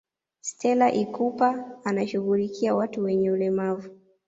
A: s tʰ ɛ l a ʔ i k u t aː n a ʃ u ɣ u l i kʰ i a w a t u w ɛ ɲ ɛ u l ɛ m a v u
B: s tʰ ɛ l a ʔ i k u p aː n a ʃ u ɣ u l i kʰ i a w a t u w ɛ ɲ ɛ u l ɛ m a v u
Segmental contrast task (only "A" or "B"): B